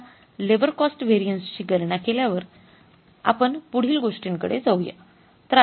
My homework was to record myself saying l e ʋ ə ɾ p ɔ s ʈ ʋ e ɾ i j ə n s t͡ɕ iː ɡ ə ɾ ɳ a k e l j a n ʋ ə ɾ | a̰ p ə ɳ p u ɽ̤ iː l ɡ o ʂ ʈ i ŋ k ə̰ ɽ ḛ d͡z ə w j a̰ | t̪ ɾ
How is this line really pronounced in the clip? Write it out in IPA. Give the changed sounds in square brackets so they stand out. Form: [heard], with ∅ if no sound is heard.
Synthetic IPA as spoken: l e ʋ ə ɾ [k] ɔ s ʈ ʋ e ɾ i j ə n s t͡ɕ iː ɡ ə ɾ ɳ a k e l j a [∅] ʋ ə ɾ | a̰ p ə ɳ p u ɽ̤ iː l ɡ o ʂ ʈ i ŋ k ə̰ ɽ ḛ d͡z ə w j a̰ | t̪ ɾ